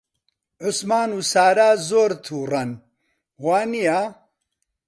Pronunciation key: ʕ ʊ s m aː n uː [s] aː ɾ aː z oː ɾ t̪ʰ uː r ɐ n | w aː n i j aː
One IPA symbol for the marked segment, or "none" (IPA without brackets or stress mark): s